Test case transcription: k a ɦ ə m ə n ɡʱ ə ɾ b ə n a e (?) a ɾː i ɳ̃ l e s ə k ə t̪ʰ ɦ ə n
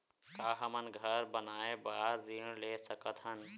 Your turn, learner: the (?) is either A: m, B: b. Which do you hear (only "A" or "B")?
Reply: B